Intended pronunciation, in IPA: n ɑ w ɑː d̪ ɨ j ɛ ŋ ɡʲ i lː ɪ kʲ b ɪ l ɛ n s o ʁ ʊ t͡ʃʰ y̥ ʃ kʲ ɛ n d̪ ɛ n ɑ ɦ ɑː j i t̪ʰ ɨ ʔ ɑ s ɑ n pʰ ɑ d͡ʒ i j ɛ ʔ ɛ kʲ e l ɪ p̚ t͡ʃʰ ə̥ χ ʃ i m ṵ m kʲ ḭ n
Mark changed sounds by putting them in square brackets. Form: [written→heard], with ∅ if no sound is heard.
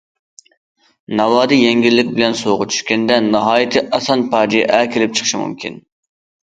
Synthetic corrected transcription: n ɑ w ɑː d̪ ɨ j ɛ ŋ ɡʲ i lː ɪ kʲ b ɪ l ɛ n s o ʁ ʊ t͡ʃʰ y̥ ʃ kʲ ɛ n d̪ ɛ n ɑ ɦ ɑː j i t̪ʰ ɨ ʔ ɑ s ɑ n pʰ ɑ d͡ʒ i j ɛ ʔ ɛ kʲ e l ɪ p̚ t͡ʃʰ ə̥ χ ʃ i m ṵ m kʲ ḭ n